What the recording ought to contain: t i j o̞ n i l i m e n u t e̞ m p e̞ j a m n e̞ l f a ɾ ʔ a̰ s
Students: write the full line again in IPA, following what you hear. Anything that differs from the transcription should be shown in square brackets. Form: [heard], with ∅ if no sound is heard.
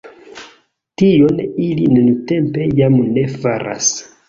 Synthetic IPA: t i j o̞ n i l i [n] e n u t e̞ m p e̞ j a m n e̞ [∅] f a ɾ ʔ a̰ s